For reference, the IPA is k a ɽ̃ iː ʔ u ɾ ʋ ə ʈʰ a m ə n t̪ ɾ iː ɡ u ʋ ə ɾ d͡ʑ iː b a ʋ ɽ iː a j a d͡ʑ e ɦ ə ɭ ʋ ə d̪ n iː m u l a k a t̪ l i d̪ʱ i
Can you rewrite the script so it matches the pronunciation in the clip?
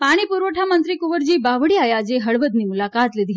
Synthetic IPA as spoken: p a ɽ̃ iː p u ɾ ʋ ə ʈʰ a m ə n t̪ ɾ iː k u ʋ ə ɾ d͡ʑ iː b a ʋ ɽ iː a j a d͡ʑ e ɦ ə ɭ ʋ ə d̪ n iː m u l a k a t̪ l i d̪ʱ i